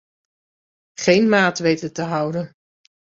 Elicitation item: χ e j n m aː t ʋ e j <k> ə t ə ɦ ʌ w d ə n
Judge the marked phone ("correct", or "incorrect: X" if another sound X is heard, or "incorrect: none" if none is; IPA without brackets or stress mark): incorrect: t